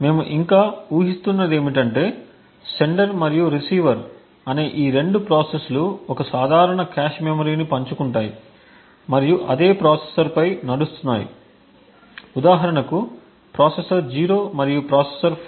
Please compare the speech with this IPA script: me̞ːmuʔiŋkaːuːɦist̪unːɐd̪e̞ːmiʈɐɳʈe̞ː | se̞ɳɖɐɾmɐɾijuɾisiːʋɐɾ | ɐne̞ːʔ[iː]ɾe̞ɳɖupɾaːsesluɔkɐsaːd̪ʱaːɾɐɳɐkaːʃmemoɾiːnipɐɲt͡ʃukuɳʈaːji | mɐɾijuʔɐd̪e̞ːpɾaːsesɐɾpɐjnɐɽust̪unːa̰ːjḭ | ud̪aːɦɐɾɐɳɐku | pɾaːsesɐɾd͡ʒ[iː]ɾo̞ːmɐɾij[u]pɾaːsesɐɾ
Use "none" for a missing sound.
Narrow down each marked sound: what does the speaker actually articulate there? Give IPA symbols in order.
iː, iː, u

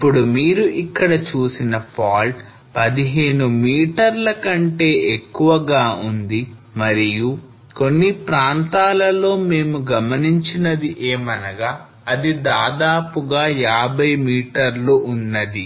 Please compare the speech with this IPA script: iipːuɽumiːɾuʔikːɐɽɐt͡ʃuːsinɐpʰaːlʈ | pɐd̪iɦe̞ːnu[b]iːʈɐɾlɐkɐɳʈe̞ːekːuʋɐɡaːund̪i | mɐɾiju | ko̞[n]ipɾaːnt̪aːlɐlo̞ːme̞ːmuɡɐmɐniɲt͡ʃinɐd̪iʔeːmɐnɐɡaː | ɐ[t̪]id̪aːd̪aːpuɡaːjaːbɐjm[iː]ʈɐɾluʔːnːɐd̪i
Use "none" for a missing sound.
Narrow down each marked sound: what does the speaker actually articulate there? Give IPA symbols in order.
m, nː, d̪, iː

